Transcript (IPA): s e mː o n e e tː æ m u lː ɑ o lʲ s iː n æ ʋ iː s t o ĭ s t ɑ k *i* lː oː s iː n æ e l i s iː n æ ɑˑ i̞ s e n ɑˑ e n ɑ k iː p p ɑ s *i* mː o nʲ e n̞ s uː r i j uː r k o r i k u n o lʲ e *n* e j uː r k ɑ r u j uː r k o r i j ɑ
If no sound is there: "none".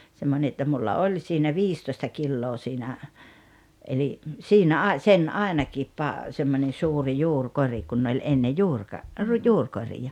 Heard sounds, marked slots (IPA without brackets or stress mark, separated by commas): i, e, nː